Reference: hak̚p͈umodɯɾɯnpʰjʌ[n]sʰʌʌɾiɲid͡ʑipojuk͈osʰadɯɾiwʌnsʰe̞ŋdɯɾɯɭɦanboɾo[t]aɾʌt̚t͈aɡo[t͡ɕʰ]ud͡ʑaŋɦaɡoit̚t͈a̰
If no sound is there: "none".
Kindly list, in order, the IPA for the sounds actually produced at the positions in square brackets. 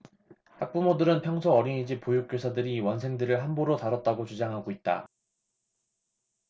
ŋ, t, t͡ɕ

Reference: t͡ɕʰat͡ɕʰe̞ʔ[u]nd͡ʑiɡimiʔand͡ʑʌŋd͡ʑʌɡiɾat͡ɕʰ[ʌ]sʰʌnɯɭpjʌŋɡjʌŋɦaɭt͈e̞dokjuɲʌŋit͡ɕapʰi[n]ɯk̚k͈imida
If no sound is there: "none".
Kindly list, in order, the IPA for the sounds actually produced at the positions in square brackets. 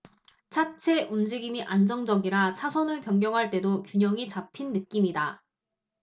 u, a, nː

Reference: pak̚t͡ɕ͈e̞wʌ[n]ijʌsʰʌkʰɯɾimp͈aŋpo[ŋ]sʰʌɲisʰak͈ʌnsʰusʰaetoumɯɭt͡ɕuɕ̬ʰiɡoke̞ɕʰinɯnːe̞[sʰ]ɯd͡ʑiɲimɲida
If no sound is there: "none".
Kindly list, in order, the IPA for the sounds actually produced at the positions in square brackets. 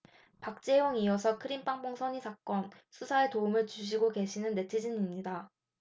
ŋ, ŋ, tʰ

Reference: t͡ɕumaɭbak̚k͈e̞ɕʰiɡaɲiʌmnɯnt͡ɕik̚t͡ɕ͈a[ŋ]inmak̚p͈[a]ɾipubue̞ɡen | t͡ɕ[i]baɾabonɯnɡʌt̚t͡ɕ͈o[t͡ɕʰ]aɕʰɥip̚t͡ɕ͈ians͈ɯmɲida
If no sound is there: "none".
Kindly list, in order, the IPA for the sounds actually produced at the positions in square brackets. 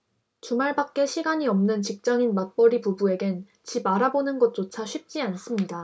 ŋ, ʌ, i, t͡ɕʰ

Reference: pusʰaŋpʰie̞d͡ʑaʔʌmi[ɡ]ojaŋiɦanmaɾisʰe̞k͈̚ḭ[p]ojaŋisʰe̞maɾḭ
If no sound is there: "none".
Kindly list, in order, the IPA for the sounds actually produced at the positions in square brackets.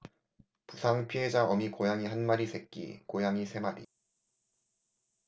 k, k

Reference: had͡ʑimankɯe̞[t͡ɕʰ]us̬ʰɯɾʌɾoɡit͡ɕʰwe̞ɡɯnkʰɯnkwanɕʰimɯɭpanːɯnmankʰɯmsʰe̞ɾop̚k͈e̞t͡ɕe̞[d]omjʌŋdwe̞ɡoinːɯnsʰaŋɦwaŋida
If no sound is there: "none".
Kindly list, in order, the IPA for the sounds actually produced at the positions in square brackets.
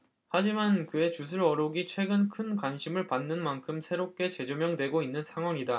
t͡ɕ, d͡ʑ

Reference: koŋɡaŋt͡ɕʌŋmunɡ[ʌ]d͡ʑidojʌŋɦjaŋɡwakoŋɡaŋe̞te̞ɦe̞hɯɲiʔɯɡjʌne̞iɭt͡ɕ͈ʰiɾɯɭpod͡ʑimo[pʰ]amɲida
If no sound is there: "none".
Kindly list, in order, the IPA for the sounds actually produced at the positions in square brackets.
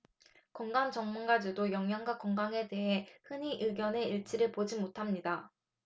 a, tʰ

